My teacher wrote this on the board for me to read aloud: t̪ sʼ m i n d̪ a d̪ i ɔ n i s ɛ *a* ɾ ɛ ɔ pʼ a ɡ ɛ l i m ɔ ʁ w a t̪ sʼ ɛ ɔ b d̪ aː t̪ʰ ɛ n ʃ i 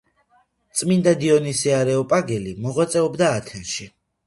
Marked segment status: correct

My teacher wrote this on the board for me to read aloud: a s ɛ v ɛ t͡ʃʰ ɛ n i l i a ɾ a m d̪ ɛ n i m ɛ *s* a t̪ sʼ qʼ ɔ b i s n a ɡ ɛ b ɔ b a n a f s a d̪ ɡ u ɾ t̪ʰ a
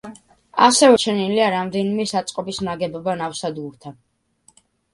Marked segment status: correct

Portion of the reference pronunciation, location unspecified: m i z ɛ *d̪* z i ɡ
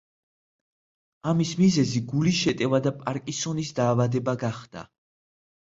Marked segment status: incorrect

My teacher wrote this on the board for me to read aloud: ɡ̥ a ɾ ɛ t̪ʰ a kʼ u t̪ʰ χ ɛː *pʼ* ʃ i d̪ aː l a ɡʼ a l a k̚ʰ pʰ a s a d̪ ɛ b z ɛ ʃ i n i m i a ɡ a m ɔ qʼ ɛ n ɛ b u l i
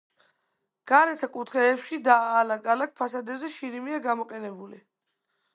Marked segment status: incorrect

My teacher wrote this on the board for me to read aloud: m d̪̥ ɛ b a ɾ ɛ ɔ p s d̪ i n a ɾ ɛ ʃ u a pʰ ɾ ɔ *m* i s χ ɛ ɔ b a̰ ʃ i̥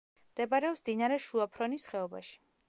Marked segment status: incorrect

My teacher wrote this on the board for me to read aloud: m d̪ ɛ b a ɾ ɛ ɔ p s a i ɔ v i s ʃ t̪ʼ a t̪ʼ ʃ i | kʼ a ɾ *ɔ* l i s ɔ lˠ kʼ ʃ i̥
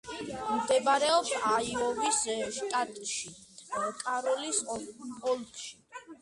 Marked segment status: correct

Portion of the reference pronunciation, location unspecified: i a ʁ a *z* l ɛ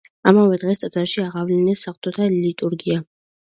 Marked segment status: incorrect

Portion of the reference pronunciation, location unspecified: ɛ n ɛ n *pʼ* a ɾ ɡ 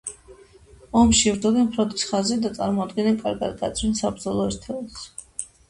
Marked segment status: incorrect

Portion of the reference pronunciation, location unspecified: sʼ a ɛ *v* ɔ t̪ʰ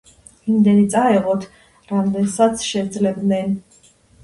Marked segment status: incorrect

